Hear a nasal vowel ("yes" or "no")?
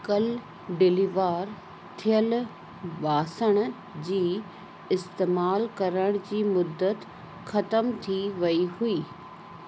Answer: no